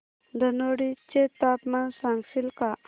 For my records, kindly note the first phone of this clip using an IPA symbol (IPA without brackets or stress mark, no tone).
d̪